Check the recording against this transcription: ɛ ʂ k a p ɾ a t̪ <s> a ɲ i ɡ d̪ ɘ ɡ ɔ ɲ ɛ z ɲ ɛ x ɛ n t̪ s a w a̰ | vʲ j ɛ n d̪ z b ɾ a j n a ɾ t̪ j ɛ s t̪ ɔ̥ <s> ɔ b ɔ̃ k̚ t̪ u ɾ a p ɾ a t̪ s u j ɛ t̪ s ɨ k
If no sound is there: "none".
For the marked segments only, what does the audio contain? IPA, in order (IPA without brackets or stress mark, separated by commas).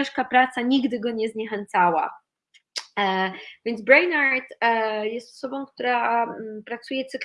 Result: s, s